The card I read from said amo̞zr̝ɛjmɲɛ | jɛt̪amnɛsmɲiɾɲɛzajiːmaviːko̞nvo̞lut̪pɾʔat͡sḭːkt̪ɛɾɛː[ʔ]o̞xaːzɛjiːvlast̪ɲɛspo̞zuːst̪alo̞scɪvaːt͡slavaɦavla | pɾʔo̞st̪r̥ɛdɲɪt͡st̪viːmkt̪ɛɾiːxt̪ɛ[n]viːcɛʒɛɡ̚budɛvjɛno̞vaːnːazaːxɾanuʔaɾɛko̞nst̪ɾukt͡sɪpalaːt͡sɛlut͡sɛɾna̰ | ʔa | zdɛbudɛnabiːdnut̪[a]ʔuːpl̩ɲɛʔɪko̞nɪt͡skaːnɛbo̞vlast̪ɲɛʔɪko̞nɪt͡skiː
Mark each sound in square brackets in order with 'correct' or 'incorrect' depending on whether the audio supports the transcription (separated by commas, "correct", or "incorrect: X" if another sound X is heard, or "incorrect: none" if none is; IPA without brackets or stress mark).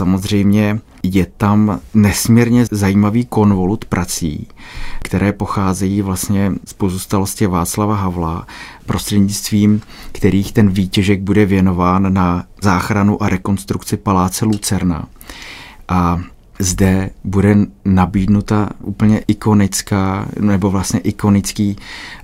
incorrect: p, correct, correct